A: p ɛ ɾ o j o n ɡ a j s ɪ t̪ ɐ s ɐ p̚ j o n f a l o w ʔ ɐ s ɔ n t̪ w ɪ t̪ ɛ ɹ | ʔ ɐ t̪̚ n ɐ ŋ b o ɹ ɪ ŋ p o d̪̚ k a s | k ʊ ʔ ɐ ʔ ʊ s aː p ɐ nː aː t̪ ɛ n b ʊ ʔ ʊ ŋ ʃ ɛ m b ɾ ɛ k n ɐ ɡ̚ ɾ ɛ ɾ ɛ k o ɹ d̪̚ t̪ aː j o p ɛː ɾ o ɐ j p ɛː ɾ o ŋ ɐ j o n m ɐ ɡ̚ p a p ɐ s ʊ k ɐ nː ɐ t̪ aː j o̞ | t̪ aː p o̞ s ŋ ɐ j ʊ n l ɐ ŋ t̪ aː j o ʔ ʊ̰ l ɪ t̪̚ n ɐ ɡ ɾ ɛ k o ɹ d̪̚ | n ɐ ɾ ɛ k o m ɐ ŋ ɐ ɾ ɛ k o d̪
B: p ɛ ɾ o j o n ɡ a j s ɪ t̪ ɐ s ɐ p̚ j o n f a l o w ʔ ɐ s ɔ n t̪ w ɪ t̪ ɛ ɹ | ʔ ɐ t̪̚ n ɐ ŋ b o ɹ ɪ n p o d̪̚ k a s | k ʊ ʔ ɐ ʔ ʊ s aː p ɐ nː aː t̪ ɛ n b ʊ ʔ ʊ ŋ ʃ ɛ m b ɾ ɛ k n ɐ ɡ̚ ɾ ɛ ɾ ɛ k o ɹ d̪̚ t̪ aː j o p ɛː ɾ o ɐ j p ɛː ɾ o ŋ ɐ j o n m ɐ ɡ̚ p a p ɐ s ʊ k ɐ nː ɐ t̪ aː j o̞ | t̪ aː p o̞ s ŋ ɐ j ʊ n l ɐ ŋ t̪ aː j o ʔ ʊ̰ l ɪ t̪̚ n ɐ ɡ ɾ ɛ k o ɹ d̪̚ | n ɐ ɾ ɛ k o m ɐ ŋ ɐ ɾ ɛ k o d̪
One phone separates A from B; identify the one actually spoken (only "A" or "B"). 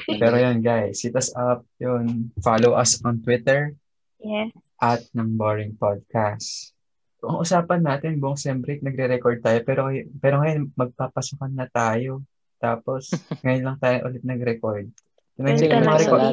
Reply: A